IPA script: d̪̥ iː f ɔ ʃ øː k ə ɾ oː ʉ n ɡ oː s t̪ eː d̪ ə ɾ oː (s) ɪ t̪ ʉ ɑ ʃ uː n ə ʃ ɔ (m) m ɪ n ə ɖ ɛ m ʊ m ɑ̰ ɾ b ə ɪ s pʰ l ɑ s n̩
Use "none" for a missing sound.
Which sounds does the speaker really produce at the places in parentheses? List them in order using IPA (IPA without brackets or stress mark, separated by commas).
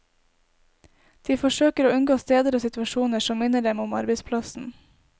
s, m